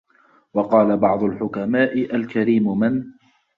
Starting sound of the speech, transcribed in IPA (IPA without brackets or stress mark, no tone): w